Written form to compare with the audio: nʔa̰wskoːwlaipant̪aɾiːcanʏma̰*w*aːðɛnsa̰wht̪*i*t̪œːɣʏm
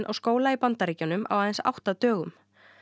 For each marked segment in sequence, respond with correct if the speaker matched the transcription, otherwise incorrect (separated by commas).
correct, incorrect